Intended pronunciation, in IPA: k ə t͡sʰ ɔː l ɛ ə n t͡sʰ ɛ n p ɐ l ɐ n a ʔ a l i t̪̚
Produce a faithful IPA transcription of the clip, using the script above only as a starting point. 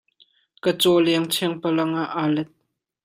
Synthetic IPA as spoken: k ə t͡s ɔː l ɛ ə ŋ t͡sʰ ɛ ŋ p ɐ l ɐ ŋ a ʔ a l ɛ t̪̚